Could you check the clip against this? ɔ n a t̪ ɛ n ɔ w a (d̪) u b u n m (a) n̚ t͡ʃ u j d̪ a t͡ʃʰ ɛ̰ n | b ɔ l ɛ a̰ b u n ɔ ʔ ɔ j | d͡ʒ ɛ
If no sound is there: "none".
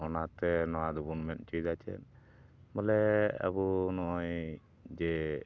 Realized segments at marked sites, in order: d̪, ɛ

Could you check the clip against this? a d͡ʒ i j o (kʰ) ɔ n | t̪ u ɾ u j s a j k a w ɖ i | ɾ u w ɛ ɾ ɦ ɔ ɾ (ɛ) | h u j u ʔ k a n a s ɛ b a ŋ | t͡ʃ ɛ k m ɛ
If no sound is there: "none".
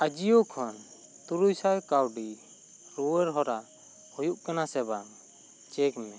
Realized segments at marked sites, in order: kʰ, a

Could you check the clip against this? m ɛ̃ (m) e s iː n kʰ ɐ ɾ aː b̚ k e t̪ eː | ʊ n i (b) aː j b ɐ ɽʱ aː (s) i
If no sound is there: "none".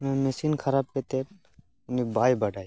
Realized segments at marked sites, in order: m, b, none

